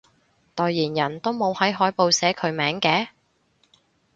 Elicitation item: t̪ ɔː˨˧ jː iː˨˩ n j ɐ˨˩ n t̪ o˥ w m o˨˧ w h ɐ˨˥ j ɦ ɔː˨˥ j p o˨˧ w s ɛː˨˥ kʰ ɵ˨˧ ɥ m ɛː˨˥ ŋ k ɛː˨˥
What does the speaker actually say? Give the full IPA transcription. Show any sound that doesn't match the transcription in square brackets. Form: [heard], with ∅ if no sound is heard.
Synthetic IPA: t̪ ɔː˨˧ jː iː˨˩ n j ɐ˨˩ n t̪ o˥ w m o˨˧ w h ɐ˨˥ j ɦ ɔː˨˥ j p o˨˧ w s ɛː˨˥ kʰ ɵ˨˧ ɥ m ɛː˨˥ ŋ k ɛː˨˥